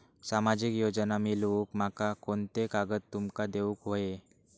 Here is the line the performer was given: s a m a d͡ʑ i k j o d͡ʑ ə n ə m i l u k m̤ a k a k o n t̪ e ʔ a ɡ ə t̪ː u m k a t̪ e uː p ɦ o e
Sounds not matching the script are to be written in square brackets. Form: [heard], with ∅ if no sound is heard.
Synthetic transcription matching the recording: s a m a d͡ʑ i k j o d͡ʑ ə n [a] m i l u k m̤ a k a k o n t̪ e [k] a ɡ ə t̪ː u m k a [d̪] e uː [k] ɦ o e

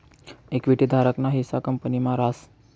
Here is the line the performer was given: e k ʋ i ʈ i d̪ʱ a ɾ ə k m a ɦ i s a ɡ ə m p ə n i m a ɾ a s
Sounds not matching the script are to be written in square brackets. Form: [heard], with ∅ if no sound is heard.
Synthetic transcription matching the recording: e k ʋ i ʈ i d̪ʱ a ɾ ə k [n] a ɦ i s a [k] ə m p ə n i m a ɾ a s

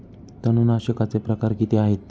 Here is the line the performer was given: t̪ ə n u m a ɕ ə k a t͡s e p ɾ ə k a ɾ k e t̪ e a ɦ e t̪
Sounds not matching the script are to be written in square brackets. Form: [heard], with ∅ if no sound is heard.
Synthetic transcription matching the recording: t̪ ə n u [n] a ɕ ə k a t͡s e p ɾ ə k a ɾ k [i] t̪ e a ɦ e t̪

